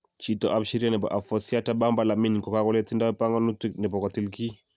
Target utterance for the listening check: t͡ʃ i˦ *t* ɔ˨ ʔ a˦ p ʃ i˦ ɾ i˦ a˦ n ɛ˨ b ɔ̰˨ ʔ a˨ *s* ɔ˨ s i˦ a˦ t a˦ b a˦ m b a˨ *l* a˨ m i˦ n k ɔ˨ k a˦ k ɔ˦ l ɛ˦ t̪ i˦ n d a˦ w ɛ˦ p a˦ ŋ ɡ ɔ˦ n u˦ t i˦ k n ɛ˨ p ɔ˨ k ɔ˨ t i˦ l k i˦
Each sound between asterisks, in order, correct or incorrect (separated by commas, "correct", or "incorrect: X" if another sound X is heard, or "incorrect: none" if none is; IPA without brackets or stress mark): correct, incorrect: f, correct